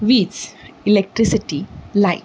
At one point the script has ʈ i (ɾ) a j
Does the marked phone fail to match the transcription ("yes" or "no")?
yes